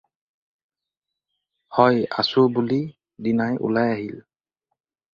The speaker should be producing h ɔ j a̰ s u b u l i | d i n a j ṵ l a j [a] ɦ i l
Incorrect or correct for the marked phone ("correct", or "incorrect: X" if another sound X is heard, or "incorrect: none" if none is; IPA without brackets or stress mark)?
correct